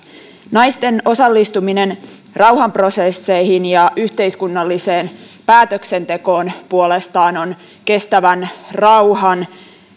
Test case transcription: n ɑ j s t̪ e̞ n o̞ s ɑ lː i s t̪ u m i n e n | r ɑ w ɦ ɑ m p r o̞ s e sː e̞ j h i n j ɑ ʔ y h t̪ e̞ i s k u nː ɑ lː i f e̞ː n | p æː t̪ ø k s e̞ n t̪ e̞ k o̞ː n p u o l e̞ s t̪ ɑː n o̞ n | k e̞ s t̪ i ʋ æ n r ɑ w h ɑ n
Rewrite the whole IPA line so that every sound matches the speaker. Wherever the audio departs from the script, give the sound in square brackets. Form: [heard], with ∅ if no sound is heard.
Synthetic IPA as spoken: n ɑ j s t̪ e̞ n o̞ s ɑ lː i s t̪ u m i n e n | r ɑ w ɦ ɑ m p r o̞ s e sː e̞ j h i n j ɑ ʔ y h t̪ e̞ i s k u nː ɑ lː i [s] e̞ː n | p æː t̪ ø k s e̞ n t̪ e̞ k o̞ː n p u o l e̞ s t̪ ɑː n o̞ n | k e̞ s t̪ [æ] ʋ æ n r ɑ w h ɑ n